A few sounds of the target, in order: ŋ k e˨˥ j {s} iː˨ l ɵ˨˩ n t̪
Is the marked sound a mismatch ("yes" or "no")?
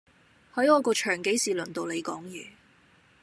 no